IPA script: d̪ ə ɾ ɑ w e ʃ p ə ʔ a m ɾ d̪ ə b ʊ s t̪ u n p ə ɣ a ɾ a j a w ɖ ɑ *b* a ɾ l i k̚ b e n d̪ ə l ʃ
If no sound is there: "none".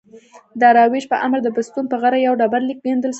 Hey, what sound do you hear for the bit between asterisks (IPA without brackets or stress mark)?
b